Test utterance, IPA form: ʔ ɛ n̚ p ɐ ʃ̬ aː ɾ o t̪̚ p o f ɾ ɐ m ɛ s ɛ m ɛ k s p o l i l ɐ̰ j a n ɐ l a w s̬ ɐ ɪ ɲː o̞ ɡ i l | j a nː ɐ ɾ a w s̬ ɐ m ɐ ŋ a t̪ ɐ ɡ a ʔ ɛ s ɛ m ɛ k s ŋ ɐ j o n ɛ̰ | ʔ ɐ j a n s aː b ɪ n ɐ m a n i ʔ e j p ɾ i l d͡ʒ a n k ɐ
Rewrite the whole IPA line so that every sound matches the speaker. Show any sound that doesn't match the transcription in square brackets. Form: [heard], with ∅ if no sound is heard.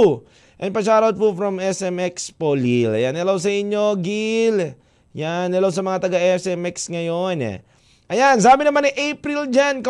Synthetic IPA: ʔ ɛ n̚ p ɐ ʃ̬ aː ɾ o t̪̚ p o f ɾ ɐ m ɛ s ɛ m ɛ k s p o l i l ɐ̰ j a n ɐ l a w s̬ ɐ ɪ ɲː o̞ ɡ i l | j a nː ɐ [l] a w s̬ ɐ m ɐ ŋ a t̪ ɐ ɡ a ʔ ɛ s ɛ m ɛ k s ŋ ɐ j o n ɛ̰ | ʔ ɐ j a n s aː b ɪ n ɐ m a n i ʔ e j p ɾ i l d͡ʒ a n k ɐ